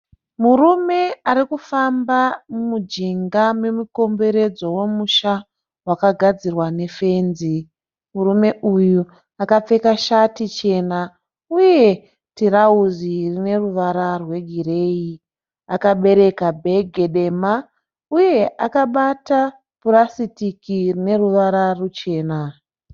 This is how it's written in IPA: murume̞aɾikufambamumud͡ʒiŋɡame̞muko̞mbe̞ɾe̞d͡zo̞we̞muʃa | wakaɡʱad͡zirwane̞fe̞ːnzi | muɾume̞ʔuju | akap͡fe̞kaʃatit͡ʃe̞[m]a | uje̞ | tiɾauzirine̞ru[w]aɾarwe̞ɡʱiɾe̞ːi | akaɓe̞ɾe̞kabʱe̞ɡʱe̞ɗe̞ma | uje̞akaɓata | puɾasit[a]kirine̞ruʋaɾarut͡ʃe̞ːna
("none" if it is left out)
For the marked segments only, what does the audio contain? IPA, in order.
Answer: n, ʋ, i

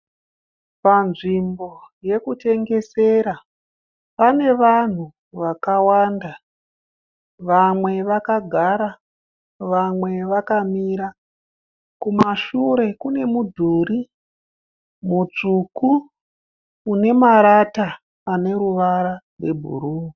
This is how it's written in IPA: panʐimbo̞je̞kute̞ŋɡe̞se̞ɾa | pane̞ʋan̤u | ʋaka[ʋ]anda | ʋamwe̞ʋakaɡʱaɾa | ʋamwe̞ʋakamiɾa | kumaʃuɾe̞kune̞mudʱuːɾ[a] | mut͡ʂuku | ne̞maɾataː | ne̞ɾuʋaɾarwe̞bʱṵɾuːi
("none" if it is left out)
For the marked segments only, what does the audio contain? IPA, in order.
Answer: w, i

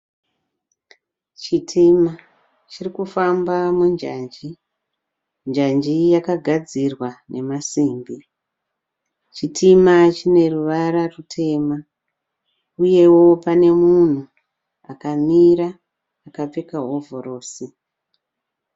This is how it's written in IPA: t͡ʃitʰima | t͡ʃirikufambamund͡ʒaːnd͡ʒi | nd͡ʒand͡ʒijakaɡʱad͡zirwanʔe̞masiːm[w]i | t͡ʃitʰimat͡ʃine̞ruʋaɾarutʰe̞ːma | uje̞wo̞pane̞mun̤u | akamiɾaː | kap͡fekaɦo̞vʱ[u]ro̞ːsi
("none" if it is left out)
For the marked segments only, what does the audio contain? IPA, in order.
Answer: b, o

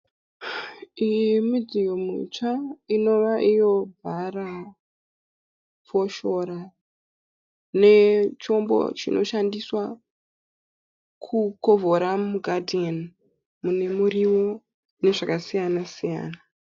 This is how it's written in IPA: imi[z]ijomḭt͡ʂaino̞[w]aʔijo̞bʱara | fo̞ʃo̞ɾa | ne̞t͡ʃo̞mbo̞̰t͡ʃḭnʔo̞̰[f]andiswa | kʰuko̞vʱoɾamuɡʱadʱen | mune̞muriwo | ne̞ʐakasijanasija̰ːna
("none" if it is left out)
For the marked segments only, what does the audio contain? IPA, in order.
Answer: d͡z, ʋ, ʃ

